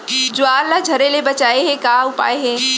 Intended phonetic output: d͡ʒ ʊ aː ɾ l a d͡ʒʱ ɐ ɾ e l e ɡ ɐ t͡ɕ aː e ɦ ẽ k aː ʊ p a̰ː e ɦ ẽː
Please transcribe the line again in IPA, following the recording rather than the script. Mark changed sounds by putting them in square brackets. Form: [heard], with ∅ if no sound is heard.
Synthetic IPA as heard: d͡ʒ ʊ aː ɾ l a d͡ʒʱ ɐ ɾ e l e [b] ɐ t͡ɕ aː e ɦ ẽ k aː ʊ p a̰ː e ɦ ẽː